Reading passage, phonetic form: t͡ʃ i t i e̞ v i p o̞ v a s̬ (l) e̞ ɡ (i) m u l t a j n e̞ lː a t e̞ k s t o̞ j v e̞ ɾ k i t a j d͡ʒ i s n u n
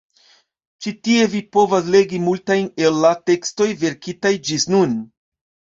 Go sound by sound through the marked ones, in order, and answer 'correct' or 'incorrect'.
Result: correct, correct

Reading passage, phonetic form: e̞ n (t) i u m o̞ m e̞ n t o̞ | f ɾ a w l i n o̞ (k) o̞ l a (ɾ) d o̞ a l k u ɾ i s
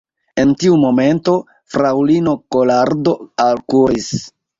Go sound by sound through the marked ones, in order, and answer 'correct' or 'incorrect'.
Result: correct, correct, correct

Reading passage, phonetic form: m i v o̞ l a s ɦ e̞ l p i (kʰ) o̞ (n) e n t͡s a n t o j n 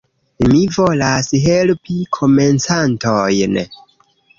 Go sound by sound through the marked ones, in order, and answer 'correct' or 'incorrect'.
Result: correct, incorrect: m

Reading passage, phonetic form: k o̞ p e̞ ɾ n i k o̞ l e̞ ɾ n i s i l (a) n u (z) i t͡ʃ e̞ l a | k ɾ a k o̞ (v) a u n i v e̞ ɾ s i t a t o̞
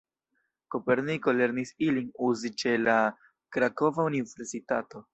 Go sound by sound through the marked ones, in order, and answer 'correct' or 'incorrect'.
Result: incorrect: i, correct, correct

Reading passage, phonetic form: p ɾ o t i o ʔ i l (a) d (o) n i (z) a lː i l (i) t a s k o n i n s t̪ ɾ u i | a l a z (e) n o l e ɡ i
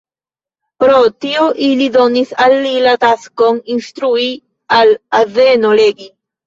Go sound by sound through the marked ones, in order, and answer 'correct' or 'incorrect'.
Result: incorrect: i, correct, incorrect: s, incorrect: a, correct

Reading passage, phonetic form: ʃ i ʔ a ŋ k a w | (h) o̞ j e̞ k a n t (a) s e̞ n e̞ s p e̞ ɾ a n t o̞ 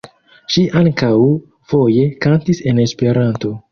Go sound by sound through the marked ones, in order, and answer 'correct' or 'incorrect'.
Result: incorrect: f, incorrect: i

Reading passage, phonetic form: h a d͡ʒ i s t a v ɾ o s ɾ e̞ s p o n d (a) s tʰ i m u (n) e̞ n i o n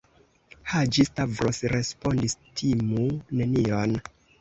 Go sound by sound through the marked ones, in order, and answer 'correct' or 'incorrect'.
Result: incorrect: i, correct

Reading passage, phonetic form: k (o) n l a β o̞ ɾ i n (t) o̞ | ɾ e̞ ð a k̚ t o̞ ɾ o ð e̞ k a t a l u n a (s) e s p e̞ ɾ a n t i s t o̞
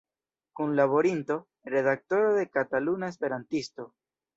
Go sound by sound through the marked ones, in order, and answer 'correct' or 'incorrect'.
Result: incorrect: u, correct, incorrect: none

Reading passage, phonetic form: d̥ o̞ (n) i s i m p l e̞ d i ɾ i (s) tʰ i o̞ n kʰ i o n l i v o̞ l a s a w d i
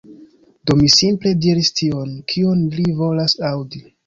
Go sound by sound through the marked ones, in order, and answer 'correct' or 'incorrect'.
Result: incorrect: m, correct

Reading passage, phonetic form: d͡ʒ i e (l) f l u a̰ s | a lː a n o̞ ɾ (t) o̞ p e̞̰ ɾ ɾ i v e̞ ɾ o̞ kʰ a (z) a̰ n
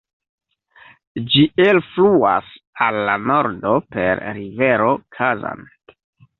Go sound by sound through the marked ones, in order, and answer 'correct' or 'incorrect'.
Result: correct, incorrect: d, correct

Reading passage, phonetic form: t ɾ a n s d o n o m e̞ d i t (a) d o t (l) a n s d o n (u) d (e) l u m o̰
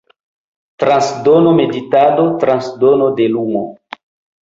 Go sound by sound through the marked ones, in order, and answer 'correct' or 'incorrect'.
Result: correct, incorrect: ɾ, incorrect: o, correct

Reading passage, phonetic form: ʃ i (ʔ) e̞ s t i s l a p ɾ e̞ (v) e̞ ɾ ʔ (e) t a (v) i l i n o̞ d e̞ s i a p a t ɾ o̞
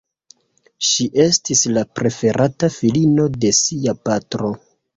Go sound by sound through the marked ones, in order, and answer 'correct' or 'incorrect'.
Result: correct, incorrect: f, incorrect: a, incorrect: f

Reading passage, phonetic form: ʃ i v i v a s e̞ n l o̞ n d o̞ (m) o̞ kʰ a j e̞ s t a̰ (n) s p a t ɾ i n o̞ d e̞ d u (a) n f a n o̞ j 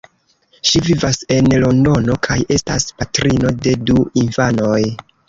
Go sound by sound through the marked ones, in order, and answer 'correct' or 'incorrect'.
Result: incorrect: n, incorrect: none, incorrect: i

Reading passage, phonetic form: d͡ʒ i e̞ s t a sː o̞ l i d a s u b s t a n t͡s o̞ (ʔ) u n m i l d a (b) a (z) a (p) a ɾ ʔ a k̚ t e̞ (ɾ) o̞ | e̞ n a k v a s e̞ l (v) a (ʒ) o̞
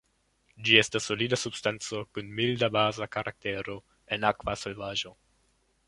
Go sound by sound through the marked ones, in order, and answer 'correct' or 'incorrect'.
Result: incorrect: k, correct, correct, incorrect: k, correct, correct, correct

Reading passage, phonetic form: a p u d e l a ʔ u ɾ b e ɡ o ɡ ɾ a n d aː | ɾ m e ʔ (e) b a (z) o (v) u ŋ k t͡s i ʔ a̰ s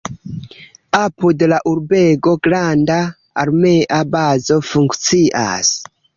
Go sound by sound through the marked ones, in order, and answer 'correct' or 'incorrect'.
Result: incorrect: a, correct, incorrect: f

